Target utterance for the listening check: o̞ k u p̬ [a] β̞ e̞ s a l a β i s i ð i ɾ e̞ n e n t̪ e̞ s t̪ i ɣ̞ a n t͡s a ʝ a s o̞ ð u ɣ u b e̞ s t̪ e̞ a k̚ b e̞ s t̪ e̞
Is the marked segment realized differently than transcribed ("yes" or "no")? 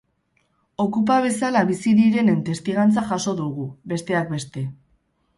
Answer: no